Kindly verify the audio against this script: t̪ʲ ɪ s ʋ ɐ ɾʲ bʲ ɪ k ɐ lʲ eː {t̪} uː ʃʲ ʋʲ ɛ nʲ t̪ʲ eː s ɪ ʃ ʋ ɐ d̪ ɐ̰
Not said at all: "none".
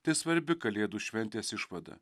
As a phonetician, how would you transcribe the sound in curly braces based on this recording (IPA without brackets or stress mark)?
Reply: d̪